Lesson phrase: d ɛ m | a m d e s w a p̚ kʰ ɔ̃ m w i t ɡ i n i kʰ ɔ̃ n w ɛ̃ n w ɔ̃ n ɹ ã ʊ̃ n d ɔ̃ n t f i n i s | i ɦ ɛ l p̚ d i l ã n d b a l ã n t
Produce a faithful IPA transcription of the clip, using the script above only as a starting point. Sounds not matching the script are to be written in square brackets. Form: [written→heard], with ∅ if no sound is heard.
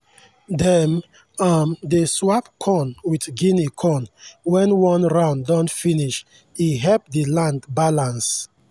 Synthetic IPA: d ɛ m | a m d e s w a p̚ kʰ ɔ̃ [m→n] w i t ɡ i n i kʰ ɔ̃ n w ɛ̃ n w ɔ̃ n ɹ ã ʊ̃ n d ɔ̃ n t f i n i [s→ʃ] | i ɦ ɛ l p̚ d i l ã n d b a l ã n [t→s]